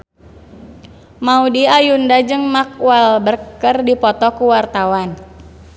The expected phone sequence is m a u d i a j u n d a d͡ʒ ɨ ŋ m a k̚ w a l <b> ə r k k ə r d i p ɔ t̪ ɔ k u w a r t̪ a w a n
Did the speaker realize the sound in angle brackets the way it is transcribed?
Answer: yes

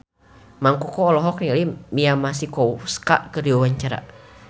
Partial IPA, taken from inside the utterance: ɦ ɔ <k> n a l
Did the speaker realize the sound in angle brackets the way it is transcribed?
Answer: yes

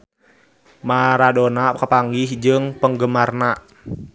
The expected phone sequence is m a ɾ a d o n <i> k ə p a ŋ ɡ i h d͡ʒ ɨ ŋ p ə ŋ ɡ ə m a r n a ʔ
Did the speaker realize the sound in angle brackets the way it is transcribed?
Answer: no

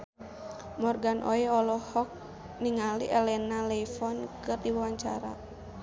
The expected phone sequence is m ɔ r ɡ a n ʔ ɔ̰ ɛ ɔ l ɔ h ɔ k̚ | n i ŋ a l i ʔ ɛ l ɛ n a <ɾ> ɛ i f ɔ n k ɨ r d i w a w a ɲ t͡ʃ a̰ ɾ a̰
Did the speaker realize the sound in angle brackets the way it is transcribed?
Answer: no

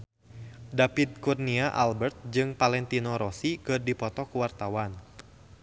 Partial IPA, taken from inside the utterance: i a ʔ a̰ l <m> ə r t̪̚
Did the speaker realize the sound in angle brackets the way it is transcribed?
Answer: no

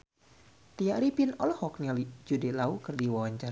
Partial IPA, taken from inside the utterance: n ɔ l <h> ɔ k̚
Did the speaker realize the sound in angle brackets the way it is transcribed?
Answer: yes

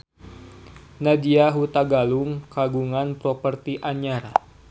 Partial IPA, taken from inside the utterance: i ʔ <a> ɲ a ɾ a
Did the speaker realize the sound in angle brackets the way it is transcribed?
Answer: yes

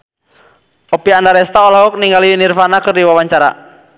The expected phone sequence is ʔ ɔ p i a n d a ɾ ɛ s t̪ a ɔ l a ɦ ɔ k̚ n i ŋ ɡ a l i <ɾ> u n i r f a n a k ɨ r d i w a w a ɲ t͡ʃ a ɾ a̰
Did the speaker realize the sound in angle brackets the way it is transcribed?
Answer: no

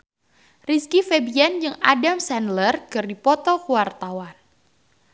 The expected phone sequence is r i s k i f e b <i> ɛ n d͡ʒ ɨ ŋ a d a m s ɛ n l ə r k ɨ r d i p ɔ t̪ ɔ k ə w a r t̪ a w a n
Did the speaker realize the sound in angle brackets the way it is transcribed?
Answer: yes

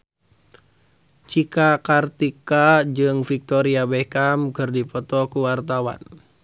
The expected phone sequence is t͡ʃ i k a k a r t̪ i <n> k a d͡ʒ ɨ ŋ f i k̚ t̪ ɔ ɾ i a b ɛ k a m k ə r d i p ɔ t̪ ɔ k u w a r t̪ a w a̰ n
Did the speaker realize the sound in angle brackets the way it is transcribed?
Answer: no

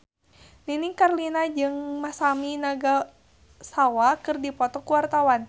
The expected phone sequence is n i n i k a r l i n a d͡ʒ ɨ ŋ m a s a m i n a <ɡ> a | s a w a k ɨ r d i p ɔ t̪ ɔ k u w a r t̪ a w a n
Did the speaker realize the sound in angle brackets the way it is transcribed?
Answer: yes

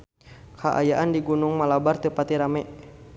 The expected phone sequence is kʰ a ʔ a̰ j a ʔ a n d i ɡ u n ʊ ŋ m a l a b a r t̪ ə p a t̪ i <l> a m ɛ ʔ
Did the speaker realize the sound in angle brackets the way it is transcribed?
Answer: no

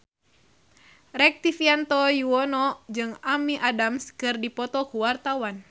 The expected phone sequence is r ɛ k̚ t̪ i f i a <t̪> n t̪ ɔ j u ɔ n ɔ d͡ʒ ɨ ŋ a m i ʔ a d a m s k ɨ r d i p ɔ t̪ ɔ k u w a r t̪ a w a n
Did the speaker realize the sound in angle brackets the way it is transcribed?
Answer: no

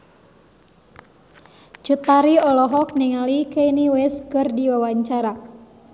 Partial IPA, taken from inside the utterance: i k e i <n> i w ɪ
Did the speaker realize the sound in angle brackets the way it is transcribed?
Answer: yes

